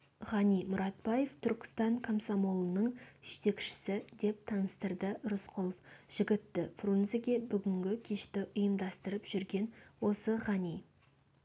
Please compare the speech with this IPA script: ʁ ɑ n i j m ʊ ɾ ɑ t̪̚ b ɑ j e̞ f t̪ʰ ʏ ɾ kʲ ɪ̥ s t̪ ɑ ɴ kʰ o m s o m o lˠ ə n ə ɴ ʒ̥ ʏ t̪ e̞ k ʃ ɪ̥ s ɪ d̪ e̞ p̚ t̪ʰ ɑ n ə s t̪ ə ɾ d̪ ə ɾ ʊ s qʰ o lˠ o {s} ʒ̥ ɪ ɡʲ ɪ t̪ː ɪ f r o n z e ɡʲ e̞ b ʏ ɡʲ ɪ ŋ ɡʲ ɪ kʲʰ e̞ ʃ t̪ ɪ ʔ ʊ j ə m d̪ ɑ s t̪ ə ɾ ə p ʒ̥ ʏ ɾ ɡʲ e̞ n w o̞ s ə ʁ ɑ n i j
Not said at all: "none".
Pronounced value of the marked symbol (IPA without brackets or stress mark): f